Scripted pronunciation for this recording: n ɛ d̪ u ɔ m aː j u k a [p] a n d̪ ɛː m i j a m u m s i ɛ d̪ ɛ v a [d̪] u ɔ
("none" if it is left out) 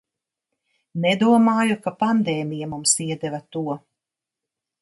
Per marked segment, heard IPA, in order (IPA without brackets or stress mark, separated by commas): p, t̪